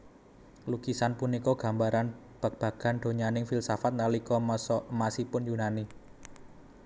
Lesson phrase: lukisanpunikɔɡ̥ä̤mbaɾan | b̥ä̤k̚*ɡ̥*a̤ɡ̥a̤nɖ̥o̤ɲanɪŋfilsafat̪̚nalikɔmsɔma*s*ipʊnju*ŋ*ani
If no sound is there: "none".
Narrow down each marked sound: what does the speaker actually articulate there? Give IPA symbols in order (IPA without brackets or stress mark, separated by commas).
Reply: b̥, s, n